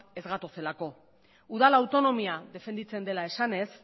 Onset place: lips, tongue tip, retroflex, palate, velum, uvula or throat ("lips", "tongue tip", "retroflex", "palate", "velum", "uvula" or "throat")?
tongue tip